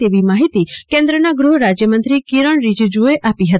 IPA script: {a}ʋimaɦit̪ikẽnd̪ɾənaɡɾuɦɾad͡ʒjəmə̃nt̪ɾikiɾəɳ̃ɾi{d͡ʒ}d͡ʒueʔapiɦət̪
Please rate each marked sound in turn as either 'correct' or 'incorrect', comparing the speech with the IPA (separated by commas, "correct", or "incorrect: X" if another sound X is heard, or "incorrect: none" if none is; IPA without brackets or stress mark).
incorrect: e, correct